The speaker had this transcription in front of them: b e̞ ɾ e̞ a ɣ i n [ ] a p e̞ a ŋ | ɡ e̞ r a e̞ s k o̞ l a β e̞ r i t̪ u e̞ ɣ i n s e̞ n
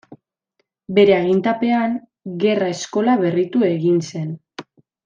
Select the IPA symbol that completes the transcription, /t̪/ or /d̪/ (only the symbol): t̪